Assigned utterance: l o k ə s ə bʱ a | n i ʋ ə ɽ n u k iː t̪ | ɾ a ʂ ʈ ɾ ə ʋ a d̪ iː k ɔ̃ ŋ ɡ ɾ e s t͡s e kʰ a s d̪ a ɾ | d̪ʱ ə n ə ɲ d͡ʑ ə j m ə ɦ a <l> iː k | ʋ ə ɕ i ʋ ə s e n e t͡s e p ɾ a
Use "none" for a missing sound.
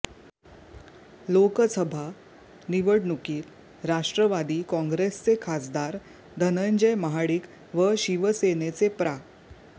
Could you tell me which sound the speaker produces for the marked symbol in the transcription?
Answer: ɽ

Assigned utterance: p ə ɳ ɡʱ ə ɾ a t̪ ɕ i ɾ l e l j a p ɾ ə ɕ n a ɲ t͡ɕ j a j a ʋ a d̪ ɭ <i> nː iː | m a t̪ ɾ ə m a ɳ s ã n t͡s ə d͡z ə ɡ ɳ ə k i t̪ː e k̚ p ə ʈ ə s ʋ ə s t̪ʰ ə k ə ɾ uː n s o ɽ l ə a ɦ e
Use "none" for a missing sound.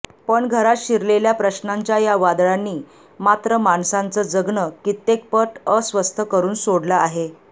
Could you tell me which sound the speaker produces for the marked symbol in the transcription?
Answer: a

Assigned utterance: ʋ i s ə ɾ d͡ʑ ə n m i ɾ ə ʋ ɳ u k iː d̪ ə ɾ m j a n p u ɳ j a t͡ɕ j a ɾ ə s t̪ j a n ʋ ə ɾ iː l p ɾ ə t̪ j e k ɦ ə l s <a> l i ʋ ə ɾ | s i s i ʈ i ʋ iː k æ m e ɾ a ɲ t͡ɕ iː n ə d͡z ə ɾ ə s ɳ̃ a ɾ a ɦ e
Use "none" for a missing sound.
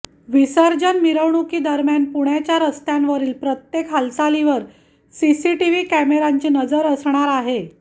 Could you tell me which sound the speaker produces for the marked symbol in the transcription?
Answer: a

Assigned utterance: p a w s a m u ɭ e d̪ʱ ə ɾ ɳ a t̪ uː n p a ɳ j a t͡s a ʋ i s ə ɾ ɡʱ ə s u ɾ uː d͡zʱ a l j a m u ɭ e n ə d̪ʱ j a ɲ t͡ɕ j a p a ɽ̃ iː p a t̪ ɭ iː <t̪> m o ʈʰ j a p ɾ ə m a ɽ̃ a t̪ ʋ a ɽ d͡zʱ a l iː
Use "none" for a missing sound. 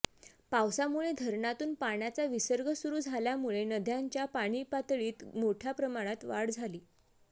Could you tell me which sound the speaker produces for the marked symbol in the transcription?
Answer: t̪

